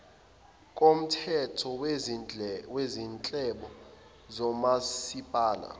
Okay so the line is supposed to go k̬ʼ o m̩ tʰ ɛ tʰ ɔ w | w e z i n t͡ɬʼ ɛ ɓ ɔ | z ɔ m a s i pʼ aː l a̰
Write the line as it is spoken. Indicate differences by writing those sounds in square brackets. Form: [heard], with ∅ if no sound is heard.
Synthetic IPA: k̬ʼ o m̩ tʰ ɛ tʰ ɔ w | w e z i n t͡ɬʼ ɛ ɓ ɔ | z ɔ m a s i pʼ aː l a̰